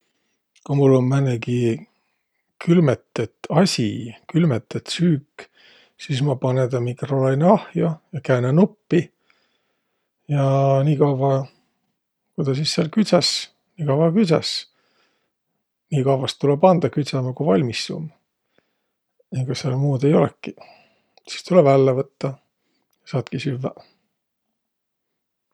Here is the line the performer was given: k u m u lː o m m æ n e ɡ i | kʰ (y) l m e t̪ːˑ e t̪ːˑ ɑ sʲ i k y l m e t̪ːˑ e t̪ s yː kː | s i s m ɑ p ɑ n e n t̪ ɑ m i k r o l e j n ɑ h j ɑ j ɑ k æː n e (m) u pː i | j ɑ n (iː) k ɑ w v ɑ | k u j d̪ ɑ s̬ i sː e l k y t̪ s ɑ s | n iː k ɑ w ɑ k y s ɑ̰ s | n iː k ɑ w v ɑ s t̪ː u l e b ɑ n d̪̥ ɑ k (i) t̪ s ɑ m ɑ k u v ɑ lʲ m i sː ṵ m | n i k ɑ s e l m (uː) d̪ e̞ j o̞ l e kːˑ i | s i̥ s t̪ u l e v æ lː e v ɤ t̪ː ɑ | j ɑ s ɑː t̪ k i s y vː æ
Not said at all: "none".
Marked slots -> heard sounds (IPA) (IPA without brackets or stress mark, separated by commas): y, n, iː, y, uː